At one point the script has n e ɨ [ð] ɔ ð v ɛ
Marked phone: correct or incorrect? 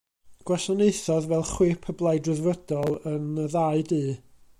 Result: incorrect